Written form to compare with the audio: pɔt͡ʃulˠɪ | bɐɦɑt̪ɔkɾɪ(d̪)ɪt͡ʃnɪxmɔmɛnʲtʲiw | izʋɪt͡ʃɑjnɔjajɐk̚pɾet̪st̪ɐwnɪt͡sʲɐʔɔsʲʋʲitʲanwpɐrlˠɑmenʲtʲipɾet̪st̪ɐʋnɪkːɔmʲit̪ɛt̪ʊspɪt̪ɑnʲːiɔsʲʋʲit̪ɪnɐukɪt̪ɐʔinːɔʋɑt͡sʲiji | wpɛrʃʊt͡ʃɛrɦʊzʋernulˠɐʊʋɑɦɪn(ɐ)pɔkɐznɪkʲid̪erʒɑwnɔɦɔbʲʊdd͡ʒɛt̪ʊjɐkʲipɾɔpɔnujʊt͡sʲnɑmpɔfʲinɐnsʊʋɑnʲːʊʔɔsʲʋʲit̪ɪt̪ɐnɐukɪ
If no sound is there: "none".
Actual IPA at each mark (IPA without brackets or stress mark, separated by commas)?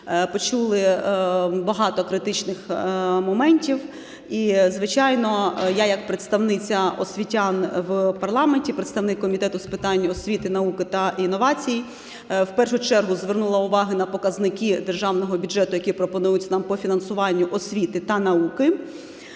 t̪, ɐ